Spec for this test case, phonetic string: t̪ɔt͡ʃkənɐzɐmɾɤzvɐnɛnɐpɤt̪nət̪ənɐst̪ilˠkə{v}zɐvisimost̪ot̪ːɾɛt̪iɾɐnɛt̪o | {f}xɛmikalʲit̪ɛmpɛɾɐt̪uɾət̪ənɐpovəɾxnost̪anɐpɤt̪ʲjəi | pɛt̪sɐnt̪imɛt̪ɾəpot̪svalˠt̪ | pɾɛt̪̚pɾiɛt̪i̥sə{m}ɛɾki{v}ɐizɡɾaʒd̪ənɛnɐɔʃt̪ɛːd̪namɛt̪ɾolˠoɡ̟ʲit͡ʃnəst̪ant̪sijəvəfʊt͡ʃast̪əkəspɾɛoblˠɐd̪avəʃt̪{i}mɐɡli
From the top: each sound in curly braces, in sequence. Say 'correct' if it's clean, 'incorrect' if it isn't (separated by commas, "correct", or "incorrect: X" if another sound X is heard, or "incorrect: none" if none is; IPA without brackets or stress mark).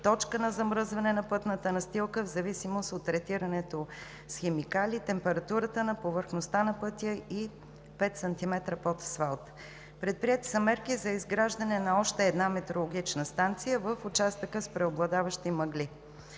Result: correct, incorrect: s, correct, incorrect: z, correct